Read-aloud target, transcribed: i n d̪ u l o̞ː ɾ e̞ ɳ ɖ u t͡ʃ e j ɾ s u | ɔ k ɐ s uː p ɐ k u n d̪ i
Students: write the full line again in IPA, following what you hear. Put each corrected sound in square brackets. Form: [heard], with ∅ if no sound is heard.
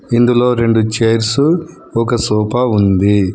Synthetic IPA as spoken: i n d̪ u l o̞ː ɾ e̞ ɳ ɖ u t͡ʃ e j ɾ s u | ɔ k ɐ s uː p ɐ [∅] u n d̪ i